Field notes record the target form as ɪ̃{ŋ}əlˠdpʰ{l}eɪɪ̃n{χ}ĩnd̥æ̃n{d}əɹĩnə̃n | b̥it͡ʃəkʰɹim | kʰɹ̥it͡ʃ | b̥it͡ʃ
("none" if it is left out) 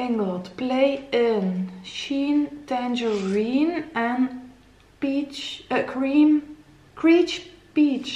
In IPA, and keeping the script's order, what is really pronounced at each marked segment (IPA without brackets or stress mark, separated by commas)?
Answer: ŋ, l, ʃ, d͡ʒ